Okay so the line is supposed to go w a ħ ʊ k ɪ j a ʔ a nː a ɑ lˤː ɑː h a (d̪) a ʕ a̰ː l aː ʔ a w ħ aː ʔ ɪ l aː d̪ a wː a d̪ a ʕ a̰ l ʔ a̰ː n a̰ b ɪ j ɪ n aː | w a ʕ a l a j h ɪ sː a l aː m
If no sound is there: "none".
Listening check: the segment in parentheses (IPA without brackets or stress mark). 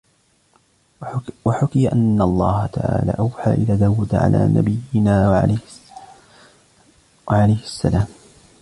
t̪